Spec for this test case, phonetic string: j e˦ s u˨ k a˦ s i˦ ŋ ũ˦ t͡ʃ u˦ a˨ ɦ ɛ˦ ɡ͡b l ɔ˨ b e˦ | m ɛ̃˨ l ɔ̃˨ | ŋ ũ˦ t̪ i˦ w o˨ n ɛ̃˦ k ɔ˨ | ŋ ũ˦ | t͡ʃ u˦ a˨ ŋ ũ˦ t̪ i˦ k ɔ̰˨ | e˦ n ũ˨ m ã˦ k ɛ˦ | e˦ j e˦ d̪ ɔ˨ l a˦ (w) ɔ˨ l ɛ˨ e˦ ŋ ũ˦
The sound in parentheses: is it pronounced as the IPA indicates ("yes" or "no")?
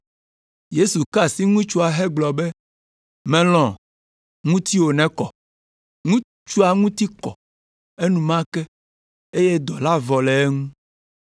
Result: no